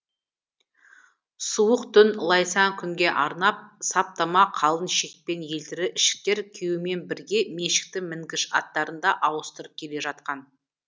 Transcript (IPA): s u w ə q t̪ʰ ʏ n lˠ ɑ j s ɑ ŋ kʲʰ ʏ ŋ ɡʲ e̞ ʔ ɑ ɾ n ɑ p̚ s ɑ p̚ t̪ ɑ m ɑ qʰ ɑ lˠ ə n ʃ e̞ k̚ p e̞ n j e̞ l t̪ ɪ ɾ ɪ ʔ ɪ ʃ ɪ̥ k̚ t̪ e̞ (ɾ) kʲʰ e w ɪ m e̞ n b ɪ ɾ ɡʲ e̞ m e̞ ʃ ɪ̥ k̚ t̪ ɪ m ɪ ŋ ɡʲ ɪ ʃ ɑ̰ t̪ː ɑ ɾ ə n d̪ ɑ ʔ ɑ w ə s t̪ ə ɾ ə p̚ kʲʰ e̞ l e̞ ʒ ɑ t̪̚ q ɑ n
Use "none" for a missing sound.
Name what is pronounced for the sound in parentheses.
ɾ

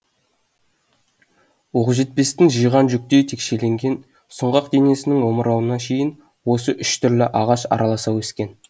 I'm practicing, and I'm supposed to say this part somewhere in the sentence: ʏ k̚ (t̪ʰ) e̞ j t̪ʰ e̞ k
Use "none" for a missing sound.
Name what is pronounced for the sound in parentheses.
t̪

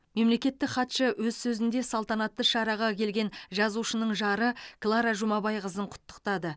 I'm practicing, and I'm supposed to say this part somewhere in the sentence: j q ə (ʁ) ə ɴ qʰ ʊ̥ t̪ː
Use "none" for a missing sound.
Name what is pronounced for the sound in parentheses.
z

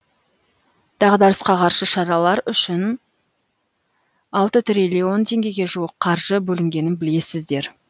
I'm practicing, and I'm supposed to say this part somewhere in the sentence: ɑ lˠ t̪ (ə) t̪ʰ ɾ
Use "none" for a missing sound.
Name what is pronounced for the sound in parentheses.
ə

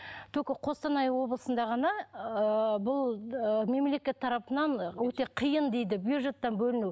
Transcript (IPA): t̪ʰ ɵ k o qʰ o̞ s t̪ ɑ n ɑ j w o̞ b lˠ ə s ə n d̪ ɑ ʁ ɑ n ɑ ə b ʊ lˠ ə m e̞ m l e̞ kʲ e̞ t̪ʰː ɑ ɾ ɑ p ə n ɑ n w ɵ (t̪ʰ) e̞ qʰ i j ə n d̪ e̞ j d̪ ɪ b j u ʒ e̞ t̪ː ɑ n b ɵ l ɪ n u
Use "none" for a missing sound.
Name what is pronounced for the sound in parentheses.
t̪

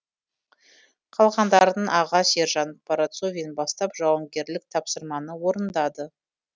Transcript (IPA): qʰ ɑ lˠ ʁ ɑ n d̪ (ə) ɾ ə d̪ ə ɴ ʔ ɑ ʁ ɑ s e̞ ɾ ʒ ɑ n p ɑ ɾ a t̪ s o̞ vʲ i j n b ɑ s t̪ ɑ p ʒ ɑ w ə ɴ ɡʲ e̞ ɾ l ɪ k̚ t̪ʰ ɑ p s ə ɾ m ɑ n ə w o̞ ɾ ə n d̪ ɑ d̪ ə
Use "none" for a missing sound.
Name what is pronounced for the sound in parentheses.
ɑ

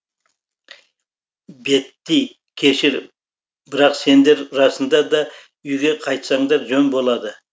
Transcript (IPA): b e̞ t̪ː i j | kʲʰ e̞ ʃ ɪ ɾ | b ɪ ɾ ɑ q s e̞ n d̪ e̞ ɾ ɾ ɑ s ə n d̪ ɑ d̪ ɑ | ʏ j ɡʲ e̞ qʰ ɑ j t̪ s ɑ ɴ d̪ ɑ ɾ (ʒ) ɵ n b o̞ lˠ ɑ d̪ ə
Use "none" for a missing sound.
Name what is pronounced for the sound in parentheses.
ʒ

